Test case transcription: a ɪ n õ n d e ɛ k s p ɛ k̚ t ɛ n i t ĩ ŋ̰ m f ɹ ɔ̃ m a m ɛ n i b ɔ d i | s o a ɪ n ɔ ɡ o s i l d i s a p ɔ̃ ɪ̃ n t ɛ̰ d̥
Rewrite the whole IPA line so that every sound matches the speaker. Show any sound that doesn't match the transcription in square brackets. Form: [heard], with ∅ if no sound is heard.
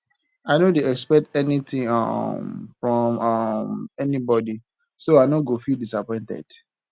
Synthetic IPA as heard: a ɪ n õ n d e ɛ k s p ɛ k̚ t ɛ n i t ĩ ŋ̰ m f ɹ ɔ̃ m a m ɛ n i b ɔ d i | s o a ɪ n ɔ ɡ o [f] i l d i s a p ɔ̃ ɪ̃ n t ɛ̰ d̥